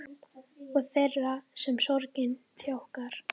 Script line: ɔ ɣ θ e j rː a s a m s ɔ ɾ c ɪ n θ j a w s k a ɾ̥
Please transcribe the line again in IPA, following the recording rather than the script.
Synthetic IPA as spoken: ɔ ɣ θ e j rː a s ɛ m s ɔ ɾ c ɪ n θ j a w h k a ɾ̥